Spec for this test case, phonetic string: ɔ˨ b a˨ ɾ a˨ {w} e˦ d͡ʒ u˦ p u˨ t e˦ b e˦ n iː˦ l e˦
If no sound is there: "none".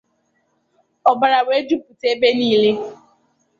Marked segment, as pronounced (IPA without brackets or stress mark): w